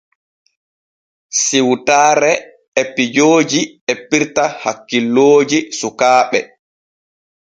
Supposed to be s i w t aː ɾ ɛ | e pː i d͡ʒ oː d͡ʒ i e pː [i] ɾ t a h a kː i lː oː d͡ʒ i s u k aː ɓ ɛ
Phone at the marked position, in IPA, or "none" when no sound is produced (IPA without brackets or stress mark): i